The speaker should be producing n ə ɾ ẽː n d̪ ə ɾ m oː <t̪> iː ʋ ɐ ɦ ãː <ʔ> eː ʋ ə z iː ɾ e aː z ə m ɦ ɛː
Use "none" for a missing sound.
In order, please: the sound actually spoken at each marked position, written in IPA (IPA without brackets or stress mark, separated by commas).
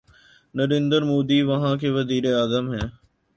d̪, k